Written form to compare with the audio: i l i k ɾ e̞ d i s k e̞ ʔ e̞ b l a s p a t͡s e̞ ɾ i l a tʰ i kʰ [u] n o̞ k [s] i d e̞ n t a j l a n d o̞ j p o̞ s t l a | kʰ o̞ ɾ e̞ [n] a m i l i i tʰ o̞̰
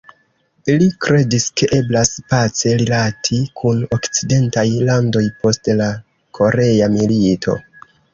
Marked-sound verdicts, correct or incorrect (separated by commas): correct, incorrect, incorrect